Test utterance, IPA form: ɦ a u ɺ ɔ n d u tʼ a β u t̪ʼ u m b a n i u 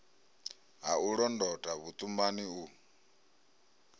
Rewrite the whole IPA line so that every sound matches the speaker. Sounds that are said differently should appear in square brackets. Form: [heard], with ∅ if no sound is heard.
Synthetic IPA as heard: ɦ a u ɺ ɔ n d [ɔ] tʼ a β u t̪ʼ u m b a n i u